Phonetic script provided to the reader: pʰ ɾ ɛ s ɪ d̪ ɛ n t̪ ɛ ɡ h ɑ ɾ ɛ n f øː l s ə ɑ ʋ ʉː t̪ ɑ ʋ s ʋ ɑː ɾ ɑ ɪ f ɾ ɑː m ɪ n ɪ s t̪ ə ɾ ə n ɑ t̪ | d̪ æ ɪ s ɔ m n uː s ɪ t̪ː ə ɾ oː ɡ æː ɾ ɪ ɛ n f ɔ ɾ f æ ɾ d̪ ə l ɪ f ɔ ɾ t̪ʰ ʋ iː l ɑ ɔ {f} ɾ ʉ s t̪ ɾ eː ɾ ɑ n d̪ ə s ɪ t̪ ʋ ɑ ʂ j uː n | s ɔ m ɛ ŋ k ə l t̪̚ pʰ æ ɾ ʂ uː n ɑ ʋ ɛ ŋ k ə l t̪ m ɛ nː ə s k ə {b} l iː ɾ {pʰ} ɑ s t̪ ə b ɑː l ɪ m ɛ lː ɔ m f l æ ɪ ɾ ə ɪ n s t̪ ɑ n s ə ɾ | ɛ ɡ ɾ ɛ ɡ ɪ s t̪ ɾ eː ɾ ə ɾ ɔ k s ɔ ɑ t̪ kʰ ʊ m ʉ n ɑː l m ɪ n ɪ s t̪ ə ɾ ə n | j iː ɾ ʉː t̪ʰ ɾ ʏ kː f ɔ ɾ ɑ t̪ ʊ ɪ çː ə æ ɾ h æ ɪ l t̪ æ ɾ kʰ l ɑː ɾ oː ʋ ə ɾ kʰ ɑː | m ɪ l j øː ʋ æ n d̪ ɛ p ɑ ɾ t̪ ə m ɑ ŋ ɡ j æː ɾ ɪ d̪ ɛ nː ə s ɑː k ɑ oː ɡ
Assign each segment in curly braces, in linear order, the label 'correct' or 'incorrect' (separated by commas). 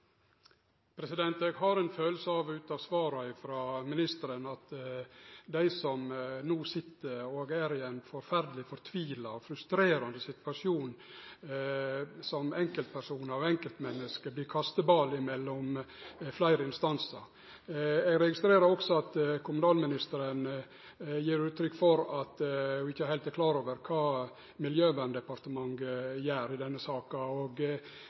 correct, correct, incorrect